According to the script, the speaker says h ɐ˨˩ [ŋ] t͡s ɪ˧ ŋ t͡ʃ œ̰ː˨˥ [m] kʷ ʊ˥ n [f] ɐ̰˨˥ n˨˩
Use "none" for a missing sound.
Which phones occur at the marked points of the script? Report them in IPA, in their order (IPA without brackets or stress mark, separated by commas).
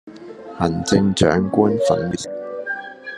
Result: n, ŋ, f